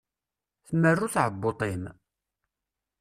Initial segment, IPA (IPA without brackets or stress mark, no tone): θ